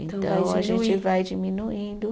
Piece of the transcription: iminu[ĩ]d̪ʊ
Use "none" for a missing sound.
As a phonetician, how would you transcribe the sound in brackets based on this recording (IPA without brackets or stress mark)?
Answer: ĩ